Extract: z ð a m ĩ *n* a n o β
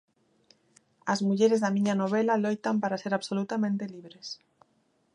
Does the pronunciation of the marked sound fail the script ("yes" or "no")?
yes